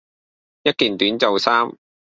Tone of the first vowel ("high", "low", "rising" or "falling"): high